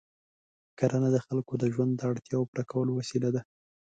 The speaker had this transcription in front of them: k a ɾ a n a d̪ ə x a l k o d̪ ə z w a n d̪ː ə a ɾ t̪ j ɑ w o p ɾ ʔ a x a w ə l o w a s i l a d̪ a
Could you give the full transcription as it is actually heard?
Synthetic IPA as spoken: k a ɾ a n a d̪ ə x a l k o d̪ ə ʒ w a n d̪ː ə a ɽ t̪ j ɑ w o p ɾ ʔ a k a w ə l o w a s i l a d̪ a

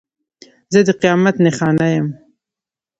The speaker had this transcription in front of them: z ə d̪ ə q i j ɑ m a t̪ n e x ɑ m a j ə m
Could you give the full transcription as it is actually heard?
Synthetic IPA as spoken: z ə d̪ ə q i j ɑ m a t̪ n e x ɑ n a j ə m

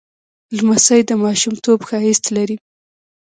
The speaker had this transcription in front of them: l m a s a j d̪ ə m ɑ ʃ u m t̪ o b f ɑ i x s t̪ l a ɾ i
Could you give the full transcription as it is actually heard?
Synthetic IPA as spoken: l m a s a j d̪ ə m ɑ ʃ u m t̪ o b x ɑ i s t̪ l a ɾ i

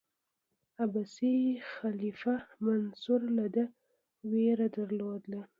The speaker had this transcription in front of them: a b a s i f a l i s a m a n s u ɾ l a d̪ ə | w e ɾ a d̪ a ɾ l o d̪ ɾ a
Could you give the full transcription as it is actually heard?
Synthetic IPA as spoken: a b a s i x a l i f a m a n s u ɾ l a d̪ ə | w e ɾ a d̪ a ɾ l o d̪ l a

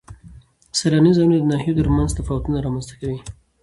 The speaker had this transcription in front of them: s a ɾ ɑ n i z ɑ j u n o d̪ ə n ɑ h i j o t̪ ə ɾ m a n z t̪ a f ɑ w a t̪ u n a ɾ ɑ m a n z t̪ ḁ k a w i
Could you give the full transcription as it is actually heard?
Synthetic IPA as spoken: s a ɾ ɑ n i z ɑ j u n o d̪ ə n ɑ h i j o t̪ ə ɾ m a n z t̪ a f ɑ w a t̪ u n a ɾ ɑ m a n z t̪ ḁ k a w i

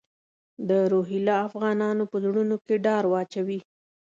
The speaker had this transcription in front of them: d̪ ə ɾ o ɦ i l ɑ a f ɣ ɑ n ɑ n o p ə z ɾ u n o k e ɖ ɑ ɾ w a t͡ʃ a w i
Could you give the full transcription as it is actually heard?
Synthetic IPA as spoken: d̪ ə ɾ o ɦ i l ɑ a f ɣ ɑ n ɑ n o p ə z ɽ u n o k e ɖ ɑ ɾ w ɑ t͡ʃ a w i

